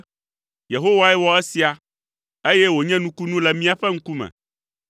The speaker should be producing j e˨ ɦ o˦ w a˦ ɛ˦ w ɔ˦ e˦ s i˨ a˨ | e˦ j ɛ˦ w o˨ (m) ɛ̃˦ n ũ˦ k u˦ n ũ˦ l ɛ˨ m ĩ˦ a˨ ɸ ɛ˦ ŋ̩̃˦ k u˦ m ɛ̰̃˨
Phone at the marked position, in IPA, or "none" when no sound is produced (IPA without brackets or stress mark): ɲ